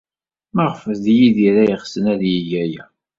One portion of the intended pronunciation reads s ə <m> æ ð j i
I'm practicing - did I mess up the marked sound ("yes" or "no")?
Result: yes